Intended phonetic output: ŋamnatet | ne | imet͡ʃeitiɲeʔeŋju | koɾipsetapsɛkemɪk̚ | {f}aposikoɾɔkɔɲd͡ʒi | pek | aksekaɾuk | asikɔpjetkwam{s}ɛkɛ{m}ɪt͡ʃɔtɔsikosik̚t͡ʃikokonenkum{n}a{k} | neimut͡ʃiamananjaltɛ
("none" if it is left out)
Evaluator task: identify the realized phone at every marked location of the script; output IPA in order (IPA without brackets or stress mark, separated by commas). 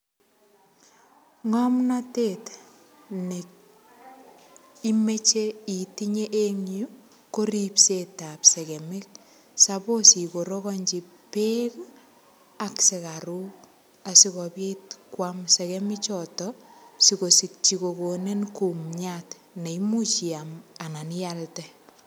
s, s, m, ɲ, t